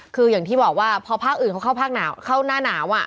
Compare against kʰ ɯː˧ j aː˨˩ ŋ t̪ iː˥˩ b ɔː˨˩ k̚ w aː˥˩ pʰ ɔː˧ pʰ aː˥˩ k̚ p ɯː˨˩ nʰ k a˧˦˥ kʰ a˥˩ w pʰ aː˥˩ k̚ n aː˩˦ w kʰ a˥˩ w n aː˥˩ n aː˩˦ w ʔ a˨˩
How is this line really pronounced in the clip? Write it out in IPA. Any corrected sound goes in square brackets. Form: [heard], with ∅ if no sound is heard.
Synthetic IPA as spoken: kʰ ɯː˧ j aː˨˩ ŋ t̪ iː˥˩ b ɔː˨˩ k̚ w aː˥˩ pʰ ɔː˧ pʰ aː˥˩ k̚ [ʔ] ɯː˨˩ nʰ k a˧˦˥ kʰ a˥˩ w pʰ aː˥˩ k̚ n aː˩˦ w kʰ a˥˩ w n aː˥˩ n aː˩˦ w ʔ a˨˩